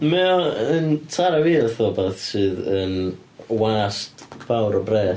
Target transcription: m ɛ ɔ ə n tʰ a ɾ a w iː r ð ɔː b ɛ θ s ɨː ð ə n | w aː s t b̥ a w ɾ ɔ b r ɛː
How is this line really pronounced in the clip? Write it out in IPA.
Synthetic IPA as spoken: m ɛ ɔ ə n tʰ a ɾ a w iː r θ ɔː b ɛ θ s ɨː ð ə n | w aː s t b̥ a w ɾ ɔ b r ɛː